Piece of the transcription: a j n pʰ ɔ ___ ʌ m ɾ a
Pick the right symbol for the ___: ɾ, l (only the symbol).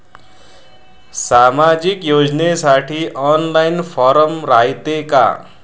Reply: ɾ